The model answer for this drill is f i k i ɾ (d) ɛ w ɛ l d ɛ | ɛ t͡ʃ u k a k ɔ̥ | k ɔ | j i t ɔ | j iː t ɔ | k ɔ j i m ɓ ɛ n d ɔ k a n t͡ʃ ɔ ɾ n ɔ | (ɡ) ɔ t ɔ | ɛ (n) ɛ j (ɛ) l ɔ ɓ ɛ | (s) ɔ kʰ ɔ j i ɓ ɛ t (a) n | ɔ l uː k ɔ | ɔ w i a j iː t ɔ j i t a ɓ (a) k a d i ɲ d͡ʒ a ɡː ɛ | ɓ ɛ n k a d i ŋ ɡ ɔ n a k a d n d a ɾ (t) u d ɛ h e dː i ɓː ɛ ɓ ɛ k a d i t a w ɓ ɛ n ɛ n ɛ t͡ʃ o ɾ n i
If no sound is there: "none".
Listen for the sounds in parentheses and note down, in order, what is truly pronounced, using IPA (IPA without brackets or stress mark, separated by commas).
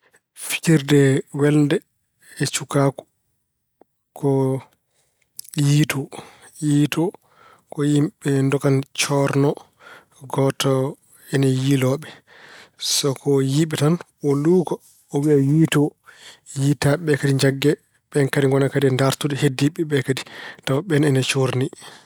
d, ɡ, n, i, s, a, ɛ, t